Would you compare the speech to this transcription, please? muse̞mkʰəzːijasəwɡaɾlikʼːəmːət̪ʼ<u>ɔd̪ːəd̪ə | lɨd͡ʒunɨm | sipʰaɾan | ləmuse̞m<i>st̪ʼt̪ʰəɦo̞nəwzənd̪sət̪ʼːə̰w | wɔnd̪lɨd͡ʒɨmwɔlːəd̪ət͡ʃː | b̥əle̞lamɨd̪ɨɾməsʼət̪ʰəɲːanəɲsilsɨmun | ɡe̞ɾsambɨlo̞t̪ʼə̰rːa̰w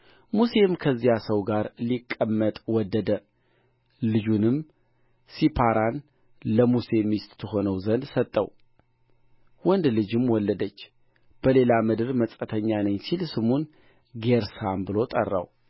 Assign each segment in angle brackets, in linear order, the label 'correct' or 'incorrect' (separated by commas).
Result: incorrect, correct